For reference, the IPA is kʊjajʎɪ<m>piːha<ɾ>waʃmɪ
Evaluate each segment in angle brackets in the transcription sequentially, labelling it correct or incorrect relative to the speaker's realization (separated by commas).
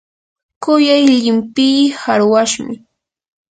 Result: correct, correct